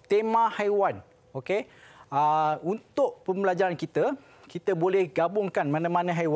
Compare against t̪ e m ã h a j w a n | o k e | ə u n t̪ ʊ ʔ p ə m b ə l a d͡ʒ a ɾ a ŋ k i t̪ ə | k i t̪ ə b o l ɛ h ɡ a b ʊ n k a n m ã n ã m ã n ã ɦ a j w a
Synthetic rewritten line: t̪ e m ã h a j w a n | o k e | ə u n t̪ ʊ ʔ p ə m b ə l a d͡ʒ a ɾ a n k i t̪ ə | k i t̪ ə b o l ɛ h ɡ a b ʊ ŋ k a n m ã n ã m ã n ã ɦ a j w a